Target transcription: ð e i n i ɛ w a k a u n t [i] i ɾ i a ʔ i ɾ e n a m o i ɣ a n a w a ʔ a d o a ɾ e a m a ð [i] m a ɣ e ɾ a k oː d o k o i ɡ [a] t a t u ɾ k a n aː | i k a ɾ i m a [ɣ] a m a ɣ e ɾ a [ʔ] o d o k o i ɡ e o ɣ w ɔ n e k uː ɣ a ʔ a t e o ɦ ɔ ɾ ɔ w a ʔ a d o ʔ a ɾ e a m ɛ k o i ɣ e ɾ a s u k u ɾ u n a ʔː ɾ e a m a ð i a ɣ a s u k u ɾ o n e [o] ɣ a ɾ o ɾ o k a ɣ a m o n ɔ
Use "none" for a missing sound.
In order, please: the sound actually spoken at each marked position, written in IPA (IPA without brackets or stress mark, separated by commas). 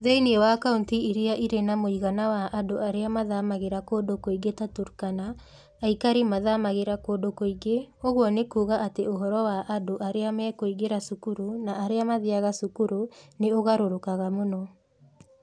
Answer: i, a, e, ð, k, o